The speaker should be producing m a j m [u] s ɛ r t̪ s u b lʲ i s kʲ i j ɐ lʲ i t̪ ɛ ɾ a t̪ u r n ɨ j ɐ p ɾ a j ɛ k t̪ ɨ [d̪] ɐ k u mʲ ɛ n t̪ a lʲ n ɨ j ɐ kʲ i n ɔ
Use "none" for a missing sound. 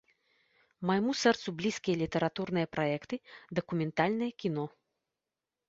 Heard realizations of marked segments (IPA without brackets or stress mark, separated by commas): u, d̪